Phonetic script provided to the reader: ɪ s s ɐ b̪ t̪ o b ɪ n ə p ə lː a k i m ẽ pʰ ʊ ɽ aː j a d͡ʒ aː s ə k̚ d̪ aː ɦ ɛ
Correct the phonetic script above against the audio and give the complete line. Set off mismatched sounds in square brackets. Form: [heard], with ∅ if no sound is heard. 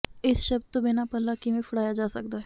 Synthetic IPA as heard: ɪ s [ʃ] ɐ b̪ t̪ o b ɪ n [a] p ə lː a k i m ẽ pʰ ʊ ɽ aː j a d͡ʒ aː s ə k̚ d̪ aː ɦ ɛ